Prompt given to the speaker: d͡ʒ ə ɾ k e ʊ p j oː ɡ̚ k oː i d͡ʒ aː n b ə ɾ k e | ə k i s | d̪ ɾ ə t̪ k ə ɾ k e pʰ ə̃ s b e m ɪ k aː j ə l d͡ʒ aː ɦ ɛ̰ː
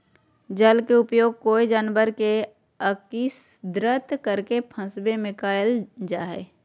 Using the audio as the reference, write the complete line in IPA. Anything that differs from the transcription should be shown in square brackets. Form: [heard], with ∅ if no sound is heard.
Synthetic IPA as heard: d͡ʒ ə [l] k e ʊ p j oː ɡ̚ k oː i d͡ʒ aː n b ə ɾ k e | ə k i s | d̪ ɾ ə t̪ k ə ɾ k e pʰ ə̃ s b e m ɪ k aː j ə l d͡ʒ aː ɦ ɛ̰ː